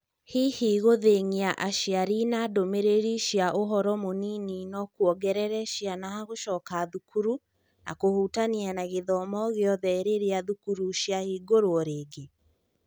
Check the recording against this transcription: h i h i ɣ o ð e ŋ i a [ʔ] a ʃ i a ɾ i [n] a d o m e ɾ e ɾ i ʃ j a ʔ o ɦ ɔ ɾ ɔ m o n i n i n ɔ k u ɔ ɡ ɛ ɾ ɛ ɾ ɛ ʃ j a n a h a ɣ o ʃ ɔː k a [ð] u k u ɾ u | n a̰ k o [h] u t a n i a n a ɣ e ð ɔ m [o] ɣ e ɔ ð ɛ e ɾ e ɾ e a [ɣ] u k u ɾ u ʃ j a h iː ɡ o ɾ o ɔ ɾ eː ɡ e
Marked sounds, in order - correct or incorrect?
correct, correct, correct, correct, incorrect, incorrect

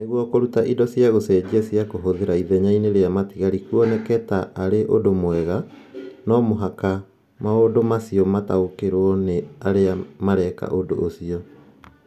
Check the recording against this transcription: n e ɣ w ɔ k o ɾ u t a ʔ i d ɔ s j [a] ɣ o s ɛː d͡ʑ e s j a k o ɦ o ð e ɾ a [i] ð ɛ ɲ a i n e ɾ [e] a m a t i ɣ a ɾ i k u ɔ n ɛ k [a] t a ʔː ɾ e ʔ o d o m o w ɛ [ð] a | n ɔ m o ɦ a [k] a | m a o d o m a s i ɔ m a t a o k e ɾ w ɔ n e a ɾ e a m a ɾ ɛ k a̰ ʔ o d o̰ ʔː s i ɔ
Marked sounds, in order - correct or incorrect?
correct, correct, correct, incorrect, incorrect, correct

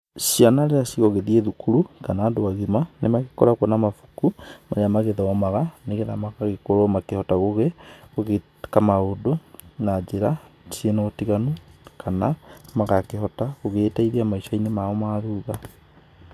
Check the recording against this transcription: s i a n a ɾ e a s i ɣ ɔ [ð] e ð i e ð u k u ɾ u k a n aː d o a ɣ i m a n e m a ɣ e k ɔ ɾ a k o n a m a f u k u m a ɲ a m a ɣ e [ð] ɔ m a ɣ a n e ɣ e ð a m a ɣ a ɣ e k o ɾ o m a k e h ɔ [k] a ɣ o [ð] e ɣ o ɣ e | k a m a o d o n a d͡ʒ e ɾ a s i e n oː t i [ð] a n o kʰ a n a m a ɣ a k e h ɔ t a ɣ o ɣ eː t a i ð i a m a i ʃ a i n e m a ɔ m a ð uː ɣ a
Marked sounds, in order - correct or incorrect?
incorrect, correct, incorrect, incorrect, incorrect

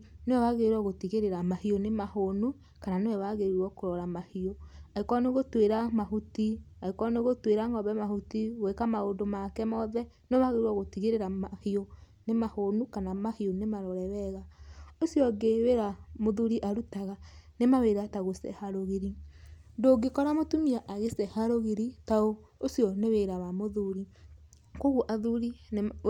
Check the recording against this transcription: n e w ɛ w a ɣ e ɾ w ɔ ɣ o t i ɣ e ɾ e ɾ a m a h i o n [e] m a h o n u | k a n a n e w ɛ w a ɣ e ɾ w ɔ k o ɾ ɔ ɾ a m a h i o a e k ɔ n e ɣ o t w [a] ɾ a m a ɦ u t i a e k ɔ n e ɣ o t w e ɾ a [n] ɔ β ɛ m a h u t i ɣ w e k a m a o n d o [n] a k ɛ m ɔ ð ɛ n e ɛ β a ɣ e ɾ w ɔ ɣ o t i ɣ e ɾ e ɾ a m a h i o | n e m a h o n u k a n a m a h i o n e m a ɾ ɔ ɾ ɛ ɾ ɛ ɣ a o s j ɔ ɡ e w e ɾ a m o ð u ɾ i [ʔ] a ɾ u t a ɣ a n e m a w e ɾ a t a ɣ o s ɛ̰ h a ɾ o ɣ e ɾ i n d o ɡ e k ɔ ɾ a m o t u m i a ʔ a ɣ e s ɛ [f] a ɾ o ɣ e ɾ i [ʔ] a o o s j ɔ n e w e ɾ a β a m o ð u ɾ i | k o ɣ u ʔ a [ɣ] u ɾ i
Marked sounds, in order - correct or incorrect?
correct, incorrect, incorrect, incorrect, correct, incorrect, incorrect, incorrect

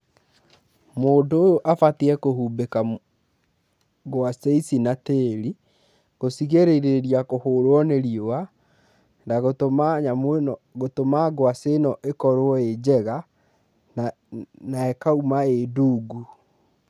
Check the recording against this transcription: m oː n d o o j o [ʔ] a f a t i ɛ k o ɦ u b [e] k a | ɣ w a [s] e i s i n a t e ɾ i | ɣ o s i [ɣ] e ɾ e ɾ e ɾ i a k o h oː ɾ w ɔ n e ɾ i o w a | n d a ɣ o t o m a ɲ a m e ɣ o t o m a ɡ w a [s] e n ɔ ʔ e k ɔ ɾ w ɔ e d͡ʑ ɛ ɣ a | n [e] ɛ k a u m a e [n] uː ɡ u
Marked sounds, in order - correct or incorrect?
correct, correct, correct, correct, correct, incorrect, incorrect

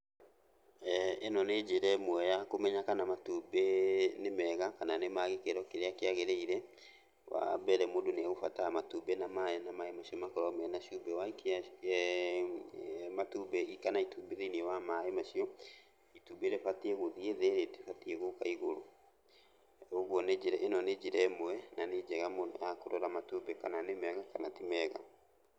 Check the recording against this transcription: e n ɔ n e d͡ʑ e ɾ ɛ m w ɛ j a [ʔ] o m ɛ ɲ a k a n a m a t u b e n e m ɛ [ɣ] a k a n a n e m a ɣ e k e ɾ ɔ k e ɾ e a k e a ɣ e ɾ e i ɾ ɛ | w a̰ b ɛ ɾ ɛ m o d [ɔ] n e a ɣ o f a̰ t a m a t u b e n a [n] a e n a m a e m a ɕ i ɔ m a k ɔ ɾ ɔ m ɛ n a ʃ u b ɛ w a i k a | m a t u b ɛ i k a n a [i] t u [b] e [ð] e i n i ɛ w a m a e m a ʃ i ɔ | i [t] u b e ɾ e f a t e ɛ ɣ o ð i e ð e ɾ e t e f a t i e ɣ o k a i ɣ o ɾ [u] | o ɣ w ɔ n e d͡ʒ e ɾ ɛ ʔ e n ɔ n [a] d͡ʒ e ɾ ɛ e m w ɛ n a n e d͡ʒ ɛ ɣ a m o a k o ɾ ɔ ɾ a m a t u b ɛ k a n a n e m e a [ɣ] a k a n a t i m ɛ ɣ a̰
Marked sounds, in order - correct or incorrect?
incorrect, correct, incorrect, incorrect, correct, correct, correct, correct, incorrect, incorrect, correct

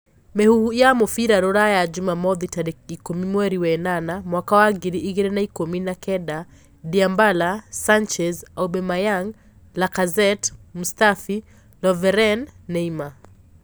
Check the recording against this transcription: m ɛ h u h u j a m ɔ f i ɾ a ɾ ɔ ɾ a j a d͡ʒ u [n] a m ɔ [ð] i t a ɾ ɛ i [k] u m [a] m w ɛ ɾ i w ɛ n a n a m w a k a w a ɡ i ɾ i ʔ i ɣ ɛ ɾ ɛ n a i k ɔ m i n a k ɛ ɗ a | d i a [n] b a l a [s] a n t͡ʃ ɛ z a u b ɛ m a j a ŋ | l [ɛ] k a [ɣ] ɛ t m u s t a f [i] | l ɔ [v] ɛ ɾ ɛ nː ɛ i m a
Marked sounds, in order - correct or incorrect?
incorrect, correct, correct, incorrect, incorrect, correct, incorrect, incorrect, correct, correct

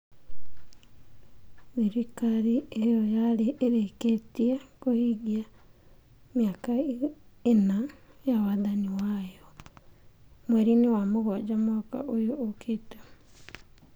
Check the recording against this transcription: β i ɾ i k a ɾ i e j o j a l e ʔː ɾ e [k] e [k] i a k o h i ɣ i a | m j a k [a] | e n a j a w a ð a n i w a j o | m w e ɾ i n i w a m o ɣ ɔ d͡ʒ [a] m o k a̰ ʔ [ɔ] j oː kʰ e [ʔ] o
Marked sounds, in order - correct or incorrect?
correct, incorrect, correct, correct, incorrect, incorrect

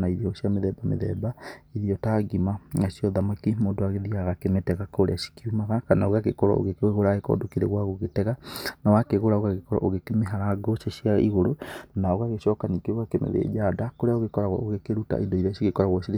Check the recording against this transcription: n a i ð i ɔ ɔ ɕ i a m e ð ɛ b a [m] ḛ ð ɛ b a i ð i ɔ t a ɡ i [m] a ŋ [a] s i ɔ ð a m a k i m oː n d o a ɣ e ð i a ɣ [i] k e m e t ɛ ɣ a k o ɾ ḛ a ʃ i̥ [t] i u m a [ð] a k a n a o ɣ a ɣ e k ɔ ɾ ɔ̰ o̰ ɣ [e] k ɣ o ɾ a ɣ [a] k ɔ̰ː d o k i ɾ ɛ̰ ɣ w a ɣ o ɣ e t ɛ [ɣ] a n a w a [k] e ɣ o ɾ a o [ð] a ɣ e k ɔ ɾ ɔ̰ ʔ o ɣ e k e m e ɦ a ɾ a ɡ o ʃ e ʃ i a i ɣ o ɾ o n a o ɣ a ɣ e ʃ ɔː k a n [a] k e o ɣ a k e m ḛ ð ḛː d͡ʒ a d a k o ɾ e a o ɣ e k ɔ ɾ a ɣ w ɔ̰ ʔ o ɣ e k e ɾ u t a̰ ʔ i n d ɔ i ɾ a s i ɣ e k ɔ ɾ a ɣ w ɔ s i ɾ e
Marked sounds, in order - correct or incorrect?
correct, correct, correct, incorrect, incorrect, incorrect, correct, incorrect, correct, correct, incorrect, incorrect

